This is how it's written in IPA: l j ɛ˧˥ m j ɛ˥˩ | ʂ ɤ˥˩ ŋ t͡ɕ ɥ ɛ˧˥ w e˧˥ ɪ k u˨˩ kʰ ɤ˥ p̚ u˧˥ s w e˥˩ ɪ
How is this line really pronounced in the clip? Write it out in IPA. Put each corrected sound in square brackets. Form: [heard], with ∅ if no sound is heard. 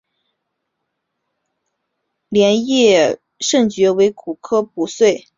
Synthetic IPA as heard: l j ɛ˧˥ [n] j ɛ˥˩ | ʂ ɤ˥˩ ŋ t͡ɕ ɥ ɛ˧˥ w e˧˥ ɪ k u˨˩ kʰ ɤ˥ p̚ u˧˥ s w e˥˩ ɪ

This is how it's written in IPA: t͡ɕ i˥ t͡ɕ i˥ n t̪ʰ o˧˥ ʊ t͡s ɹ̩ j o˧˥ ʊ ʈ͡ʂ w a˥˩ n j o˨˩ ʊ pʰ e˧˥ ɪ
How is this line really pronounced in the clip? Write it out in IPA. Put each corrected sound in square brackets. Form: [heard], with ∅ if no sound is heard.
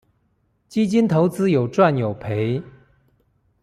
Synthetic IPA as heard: t͡ɕ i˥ t͡ɕ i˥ n t̪ʰ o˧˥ ʊ t͡s ɹ̩ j [o˨˩] ʊ ʈ͡ʂ w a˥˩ n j o˨˩ ʊ pʰ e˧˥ ɪ

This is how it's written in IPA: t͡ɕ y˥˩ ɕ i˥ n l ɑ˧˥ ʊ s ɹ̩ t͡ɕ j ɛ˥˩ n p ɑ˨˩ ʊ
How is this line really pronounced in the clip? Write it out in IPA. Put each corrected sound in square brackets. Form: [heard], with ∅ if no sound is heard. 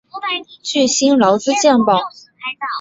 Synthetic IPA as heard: t͡ɕ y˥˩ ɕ i˥ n l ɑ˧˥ ʊ [t͡s] ɹ̩ t͡ɕ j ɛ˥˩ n p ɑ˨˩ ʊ

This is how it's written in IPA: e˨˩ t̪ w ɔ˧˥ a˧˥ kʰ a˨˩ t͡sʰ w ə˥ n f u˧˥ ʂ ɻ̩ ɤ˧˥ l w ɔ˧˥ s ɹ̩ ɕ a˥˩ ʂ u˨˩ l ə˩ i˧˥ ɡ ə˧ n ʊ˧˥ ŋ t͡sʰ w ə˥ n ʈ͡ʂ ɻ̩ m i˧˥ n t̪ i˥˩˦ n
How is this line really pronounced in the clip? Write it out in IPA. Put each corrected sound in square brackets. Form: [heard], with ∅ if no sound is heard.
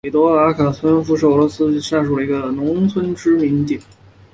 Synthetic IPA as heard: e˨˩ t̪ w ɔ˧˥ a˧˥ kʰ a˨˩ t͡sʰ w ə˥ n f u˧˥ ʂ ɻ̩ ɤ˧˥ l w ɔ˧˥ s ɹ̩ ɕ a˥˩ ʂ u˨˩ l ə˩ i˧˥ ɡ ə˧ n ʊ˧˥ ŋ t͡sʰ w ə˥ n ʈ͡ʂ ɻ̩ m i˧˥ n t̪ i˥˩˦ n

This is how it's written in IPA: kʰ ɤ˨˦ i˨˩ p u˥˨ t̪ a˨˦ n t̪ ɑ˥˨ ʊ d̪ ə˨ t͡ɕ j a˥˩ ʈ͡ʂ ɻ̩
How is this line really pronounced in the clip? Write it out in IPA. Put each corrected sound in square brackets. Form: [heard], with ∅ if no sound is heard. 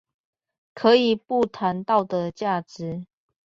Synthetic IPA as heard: kʰ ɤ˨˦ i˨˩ p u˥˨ [t̪ʰ] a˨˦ n t̪ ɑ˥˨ ʊ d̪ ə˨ t͡ɕ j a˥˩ ʈ͡ʂ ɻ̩

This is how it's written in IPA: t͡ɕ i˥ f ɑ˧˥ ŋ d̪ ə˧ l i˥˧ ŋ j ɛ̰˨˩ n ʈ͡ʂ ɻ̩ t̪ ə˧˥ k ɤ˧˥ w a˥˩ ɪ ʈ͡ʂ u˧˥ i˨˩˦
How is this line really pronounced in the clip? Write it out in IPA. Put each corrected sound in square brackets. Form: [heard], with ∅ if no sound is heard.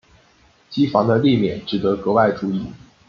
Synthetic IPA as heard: t͡ɕ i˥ f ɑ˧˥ ŋ d̪ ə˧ l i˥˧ [m] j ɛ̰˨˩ n ʈ͡ʂ ɻ̩ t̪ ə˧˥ k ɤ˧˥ w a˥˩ ɪ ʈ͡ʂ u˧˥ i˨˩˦

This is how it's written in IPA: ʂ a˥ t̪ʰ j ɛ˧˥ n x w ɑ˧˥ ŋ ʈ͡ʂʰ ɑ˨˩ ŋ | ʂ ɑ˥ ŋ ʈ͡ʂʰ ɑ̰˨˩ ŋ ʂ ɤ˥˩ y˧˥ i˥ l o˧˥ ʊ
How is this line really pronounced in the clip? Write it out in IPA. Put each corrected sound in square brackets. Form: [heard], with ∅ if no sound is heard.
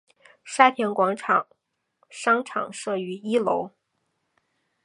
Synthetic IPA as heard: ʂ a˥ t̪ʰ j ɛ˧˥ n [k] w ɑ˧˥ ŋ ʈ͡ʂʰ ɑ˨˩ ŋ | ʂ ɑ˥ ŋ ʈ͡ʂʰ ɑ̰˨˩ ŋ ʂ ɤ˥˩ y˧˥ i˥ l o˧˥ ʊ

